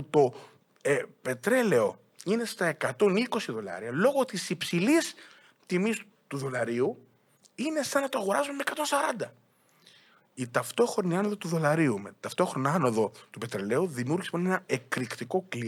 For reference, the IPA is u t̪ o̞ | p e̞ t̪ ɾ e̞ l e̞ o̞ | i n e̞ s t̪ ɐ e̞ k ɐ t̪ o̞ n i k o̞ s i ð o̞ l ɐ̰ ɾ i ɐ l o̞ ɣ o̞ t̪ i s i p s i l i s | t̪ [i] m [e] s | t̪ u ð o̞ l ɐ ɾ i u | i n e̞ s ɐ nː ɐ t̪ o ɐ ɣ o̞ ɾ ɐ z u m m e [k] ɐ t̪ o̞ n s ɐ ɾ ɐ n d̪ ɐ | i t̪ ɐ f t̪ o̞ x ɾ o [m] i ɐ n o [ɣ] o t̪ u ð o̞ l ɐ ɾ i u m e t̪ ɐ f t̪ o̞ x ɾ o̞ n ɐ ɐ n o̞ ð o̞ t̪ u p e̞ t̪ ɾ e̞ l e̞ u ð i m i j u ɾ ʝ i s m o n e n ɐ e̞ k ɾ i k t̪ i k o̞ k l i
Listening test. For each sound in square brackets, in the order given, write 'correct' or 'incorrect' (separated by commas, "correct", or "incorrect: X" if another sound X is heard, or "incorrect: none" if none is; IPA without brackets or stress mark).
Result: correct, incorrect: i, correct, incorrect: n, incorrect: ð